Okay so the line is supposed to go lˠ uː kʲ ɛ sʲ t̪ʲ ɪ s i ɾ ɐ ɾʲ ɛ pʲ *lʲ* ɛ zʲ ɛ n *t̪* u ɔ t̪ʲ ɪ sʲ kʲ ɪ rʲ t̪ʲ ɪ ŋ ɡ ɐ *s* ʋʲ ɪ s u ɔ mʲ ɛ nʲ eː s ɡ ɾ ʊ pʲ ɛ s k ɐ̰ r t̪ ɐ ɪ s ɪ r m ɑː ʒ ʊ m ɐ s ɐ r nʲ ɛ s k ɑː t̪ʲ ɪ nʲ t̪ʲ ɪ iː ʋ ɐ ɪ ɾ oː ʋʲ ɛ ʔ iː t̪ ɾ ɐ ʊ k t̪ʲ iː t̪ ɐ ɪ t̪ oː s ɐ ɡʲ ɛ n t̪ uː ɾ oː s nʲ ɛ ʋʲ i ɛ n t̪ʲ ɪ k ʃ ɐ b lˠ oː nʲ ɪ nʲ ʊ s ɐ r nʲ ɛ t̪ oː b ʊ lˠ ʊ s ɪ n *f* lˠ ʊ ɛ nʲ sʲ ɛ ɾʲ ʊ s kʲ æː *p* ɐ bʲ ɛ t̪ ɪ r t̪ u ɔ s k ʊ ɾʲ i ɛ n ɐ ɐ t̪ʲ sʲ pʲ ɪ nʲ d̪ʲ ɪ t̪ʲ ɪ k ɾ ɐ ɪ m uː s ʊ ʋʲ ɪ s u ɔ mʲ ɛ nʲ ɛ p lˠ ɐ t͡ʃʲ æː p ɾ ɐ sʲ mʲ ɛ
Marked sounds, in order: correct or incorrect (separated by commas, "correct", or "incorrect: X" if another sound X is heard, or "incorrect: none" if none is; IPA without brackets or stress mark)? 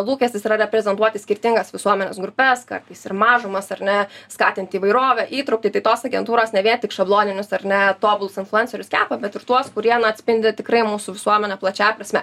incorrect: ɾʲ, correct, correct, correct, correct